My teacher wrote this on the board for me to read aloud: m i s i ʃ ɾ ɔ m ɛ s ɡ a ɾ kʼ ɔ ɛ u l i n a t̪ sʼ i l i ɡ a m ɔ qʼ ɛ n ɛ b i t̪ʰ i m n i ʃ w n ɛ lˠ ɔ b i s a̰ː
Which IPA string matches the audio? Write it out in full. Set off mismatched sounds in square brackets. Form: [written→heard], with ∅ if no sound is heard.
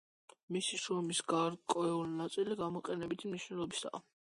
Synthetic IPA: m i s i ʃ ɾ ɔ m [ɛ→i] s ɡ a ɾ kʼ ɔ ɛ u l i n a t̪ sʼ i l i ɡ a m ɔ qʼ ɛ n ɛ b i t̪ʰ i m n i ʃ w n ɛ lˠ ɔ b i s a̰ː